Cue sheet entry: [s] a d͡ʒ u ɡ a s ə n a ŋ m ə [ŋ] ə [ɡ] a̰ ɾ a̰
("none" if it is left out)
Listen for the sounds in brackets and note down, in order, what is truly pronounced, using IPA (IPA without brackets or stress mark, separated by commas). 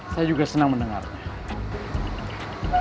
s, n, ŋ